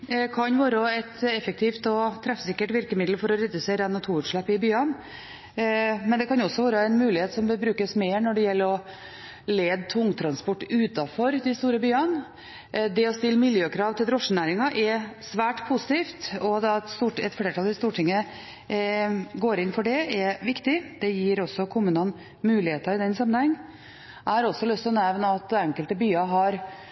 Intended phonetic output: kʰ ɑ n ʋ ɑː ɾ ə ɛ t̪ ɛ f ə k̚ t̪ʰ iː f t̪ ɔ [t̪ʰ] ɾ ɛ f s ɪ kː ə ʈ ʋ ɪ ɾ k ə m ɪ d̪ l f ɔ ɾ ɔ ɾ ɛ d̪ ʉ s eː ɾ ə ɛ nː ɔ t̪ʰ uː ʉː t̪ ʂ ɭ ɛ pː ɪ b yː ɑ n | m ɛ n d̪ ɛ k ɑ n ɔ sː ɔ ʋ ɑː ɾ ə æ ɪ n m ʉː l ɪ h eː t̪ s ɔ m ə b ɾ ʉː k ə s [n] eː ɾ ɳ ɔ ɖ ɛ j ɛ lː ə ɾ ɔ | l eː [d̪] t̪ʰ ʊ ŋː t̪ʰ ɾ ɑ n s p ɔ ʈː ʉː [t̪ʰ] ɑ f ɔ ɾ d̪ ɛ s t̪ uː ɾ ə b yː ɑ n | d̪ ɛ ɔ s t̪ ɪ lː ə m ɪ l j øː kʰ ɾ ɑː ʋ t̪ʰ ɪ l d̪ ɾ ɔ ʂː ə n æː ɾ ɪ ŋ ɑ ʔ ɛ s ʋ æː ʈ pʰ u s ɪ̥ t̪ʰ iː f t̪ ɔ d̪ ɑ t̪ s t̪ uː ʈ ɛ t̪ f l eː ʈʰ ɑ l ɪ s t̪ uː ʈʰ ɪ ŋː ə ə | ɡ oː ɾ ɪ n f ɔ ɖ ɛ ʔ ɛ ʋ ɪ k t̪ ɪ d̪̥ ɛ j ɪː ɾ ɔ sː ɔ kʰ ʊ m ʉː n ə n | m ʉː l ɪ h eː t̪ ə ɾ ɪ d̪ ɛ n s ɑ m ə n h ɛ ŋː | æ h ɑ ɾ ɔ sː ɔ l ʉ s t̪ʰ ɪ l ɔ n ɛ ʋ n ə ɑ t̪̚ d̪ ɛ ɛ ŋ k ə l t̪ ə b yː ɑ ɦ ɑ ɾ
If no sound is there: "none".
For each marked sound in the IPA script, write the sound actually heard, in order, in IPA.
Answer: t̪ʰ, m, d̪, t̪

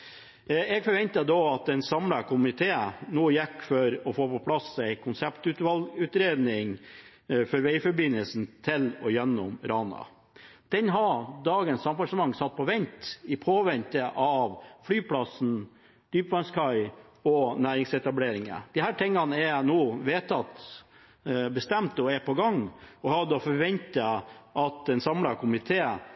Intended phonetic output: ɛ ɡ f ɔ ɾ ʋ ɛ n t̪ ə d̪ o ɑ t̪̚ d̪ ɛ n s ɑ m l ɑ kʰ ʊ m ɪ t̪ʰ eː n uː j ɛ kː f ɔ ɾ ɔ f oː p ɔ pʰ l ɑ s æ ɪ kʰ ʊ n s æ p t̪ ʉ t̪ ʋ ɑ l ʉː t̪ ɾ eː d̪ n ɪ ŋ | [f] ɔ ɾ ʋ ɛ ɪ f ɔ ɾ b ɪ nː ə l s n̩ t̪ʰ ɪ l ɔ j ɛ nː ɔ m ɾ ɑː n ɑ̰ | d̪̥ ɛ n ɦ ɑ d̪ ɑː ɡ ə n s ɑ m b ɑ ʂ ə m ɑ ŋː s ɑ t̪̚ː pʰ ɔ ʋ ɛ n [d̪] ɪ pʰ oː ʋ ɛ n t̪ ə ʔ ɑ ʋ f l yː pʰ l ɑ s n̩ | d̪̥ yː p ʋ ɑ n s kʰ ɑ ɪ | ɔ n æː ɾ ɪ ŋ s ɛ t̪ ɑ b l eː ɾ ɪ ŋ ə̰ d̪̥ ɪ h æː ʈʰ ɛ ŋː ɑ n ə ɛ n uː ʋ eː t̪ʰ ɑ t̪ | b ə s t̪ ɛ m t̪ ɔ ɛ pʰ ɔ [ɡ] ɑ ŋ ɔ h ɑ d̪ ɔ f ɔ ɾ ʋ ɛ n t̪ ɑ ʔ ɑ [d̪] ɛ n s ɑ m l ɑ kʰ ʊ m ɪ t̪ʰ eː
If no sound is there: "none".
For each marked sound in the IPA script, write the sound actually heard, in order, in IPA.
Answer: f, t̪, ɡ, t̪

